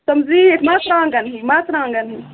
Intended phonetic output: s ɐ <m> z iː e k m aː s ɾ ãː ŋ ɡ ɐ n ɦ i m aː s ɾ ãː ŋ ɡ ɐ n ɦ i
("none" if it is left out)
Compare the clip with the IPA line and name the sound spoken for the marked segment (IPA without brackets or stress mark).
m